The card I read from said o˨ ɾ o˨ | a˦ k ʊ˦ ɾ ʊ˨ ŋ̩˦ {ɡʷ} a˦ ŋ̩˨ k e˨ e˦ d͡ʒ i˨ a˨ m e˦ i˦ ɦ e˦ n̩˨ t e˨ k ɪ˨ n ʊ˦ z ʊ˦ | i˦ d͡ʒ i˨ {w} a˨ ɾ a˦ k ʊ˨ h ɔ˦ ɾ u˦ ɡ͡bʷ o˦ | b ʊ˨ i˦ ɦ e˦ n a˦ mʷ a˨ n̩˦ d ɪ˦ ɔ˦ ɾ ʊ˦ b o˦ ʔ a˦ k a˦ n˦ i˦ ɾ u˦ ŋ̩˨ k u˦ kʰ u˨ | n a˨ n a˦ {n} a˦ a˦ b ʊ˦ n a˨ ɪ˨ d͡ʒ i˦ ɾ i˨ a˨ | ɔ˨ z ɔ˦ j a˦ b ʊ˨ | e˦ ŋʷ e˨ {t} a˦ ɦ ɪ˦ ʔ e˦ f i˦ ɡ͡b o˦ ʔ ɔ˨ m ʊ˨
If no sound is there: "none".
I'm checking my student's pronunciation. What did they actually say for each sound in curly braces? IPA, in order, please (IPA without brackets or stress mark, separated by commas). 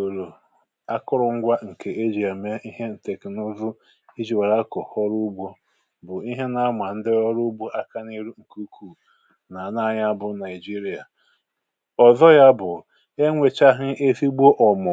ɡʷ, w, ɲ, t͡ʃ